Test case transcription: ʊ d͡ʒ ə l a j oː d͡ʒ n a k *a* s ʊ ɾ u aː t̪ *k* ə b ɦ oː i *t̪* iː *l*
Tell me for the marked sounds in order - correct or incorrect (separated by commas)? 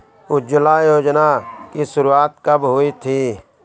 incorrect, correct, incorrect, incorrect